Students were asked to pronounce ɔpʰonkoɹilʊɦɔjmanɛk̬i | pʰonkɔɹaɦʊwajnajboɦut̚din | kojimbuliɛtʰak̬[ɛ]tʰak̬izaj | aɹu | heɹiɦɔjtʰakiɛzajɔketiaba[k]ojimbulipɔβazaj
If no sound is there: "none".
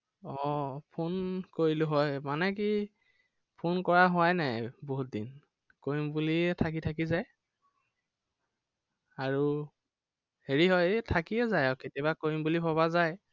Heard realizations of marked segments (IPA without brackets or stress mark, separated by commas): i, k